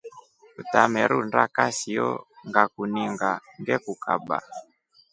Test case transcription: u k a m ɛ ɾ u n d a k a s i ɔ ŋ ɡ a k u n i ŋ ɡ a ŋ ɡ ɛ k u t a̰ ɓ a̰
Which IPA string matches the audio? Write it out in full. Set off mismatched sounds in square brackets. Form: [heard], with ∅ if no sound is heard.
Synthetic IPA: u [t] a m ɛ ɾ u n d a k a s i ɔ ŋ ɡ a k u n i ŋ ɡ a ŋ ɡ ɛ k u [k] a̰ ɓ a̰

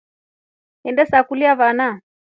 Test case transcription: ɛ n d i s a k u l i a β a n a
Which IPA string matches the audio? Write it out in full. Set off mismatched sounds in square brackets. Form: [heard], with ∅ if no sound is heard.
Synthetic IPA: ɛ n d [ɛ] s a k u l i a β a n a

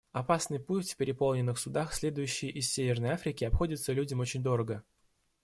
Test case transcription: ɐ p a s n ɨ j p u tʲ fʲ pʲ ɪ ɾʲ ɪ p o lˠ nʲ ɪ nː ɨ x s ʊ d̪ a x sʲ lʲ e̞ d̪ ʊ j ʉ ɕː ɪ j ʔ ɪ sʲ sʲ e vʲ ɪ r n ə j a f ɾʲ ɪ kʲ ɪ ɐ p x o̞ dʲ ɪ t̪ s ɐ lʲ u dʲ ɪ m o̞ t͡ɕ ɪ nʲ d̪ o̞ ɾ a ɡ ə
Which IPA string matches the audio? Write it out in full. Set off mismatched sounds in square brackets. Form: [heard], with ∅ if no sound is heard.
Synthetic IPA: ɐ p a s n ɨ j p u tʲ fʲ pʲ ɪ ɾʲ ɪ p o lˠ nʲ ɪ nː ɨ x s ʊ d̪ a x sʲ lʲ e̞ d̪ ʊ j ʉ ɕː ɪ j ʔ ɪ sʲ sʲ e vʲ ɪ r n ə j a f ɾʲ ɪ kʲ ɪ ɐ p x o̞ dʲ ɪ t̪ s [ə] lʲ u dʲ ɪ m o̞ t͡ɕ ɪ nʲ d̪ o̞ ɾ [ə] ɡ ə

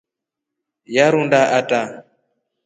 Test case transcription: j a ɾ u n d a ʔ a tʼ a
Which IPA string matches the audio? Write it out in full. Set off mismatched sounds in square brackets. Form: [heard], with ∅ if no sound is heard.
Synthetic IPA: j a ɾ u n d a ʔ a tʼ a

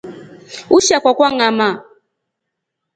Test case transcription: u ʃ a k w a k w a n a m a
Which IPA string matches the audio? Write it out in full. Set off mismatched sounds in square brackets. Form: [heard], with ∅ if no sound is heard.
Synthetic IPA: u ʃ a k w a k w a [ŋ] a m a

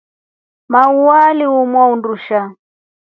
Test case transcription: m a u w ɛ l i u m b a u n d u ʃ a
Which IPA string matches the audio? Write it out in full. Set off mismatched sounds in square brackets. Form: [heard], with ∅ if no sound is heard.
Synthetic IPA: m a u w [a] l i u m [w] a u n d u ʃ a

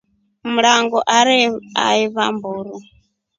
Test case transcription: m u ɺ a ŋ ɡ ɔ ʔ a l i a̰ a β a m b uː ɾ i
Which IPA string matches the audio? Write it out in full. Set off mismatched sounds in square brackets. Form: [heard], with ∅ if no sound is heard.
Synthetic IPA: m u ɺ a ŋ ɡ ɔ ʔ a [ɾ] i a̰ [i] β a m b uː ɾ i

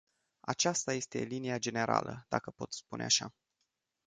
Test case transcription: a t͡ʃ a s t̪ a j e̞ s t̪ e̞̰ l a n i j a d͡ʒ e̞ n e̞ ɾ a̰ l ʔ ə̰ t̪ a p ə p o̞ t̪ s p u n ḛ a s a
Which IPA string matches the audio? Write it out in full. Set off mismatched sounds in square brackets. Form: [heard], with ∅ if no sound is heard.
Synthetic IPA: a t͡ʃ a s t̪ a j e̞ s t̪ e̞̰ l [i] n i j a d͡ʒ e̞ n e̞ ɾ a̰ l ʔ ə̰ [d̪] a [k] ə p o̞ t̪ s p u n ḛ a [ʃ] a

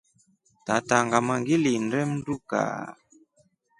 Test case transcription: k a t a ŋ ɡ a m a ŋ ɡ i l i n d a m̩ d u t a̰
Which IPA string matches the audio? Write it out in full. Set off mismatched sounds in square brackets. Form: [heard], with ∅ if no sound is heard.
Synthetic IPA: [t] a t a ŋ ɡ a m a ŋ ɡ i l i n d [ɛ] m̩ d u [k] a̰

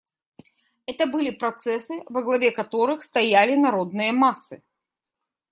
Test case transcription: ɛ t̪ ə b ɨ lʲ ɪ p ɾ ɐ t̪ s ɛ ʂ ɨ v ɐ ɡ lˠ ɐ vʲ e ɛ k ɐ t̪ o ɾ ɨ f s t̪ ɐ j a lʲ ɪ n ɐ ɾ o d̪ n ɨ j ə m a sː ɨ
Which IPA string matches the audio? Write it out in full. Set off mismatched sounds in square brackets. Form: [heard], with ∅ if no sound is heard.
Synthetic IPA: ɛ t̪ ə b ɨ lʲ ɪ p ɾ ɐ t̪ s ɛ [s] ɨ v ɐ ɡ lˠ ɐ vʲ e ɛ k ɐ t̪ o ɾ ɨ [x] s t̪ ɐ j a lʲ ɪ n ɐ ɾ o d̪ n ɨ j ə m a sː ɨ

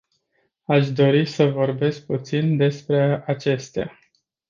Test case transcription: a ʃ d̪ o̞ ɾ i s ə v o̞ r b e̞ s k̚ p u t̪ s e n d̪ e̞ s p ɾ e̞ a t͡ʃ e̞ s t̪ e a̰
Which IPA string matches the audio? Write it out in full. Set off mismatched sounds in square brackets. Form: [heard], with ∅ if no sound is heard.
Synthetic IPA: a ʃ d̪ o̞ ɾ i s ə v o̞ r b e̞ s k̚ p u t̪ s [i] n d̪ e̞ s p ɾ e̞ a t͡ʃ e̞ s t̪ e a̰

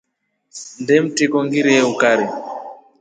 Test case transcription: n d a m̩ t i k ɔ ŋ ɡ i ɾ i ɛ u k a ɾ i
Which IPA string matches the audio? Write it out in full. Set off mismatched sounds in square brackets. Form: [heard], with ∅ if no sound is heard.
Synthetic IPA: n d [ɛ] m̩ t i k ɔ ŋ ɡ i ɾ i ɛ u k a ɾ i

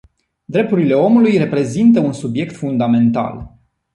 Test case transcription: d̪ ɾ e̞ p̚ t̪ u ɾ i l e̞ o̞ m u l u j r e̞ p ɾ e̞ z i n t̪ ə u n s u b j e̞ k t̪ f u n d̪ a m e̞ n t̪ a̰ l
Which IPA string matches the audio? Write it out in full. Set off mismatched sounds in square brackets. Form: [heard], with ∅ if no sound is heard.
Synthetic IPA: d̪ ɾ e̞ p̚ t̪ u ɾ i l e̞ o̞ m u l u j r e̞ p ɾ e̞ z i n t̪ ə u n s u b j e̞ k t̪ f u n d̪ a m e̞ n t̪ a̰ l

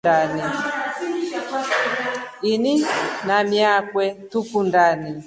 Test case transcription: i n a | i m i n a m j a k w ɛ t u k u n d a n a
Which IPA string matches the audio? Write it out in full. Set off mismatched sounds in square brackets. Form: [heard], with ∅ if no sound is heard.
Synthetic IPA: [a] n [i] | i [n] i n a m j a k w ɛ t u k u n d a n [i]

